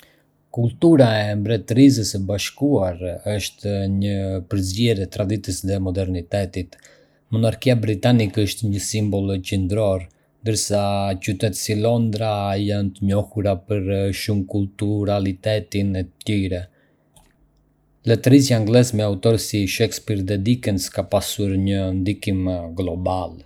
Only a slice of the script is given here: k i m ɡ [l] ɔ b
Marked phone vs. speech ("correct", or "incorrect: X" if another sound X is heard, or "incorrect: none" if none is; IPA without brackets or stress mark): correct